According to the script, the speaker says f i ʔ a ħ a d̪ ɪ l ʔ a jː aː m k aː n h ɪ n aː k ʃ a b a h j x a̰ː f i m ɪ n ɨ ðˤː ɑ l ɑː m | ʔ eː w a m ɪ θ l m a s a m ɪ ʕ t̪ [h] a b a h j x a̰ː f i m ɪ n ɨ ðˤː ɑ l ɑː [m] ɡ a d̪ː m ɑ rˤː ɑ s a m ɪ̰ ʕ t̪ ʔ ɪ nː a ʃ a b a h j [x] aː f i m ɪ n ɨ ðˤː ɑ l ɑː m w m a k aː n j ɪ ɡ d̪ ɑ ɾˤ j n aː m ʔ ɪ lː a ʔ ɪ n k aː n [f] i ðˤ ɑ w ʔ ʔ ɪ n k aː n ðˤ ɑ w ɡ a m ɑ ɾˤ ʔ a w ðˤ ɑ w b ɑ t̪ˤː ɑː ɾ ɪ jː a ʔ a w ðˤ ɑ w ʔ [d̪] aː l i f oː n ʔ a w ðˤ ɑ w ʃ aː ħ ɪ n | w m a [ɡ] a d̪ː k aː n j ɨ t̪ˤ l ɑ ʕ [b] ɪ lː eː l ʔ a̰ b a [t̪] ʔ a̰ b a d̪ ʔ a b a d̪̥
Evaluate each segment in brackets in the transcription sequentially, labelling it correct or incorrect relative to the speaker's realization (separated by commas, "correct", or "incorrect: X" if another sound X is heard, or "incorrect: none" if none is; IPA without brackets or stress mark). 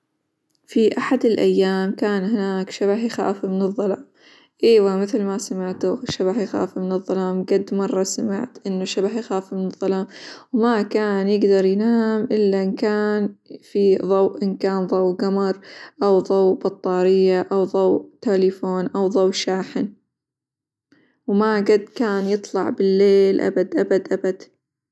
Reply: incorrect: ʃ, correct, correct, correct, incorrect: t̪, correct, correct, incorrect: d̪